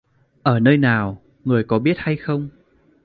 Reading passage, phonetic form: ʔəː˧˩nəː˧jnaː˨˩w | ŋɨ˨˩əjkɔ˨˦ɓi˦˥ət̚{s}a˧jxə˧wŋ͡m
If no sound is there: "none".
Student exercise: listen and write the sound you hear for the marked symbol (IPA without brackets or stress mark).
h